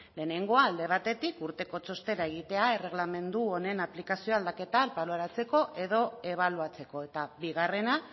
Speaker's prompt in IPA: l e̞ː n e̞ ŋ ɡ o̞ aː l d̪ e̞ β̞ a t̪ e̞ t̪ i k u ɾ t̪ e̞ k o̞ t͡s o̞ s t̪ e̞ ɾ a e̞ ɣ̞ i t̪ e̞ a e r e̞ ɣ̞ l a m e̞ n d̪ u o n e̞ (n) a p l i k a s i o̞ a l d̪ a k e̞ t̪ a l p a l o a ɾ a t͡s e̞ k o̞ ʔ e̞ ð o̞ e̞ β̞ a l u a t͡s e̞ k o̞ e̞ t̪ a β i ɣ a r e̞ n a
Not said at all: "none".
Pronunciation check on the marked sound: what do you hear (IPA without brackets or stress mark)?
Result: n